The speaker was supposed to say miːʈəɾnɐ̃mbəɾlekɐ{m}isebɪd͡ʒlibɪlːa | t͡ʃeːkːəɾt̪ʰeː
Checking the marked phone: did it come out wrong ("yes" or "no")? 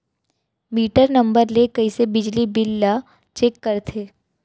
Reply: yes